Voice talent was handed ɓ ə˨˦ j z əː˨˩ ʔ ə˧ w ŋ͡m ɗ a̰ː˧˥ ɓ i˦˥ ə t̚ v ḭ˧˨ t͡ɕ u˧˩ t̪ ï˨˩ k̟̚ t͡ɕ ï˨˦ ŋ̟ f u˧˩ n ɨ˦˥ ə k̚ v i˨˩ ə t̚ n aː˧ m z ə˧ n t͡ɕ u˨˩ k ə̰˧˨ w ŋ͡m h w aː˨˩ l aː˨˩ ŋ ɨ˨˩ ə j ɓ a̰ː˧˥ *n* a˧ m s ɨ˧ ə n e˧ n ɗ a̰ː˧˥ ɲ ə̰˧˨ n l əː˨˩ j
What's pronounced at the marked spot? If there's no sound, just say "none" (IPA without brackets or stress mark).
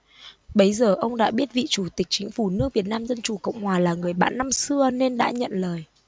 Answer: nː